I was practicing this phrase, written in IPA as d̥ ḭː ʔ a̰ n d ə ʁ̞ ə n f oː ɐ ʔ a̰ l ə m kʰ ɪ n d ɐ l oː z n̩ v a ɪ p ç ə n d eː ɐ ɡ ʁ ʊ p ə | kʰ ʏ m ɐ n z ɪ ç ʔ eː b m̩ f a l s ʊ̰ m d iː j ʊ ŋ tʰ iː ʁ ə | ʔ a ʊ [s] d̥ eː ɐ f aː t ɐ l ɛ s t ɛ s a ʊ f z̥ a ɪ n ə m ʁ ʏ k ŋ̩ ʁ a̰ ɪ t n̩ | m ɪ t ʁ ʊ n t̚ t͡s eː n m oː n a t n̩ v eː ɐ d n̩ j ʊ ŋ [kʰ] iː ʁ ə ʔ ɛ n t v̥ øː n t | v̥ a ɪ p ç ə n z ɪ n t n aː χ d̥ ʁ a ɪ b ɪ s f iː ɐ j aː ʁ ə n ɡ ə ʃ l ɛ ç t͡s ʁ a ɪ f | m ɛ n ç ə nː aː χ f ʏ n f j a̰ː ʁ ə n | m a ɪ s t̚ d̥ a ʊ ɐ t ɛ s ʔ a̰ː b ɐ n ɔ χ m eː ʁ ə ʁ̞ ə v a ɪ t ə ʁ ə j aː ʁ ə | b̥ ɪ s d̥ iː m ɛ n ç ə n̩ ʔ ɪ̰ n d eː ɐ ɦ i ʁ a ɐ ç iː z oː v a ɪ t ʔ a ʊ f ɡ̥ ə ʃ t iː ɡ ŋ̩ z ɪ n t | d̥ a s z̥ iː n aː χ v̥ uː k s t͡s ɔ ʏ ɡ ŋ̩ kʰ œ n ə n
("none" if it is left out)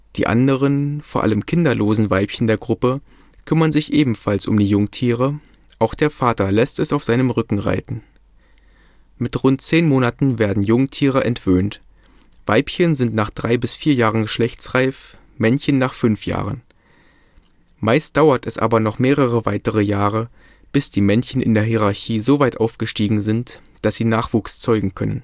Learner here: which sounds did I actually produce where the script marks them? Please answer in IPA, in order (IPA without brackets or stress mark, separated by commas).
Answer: x, tʰ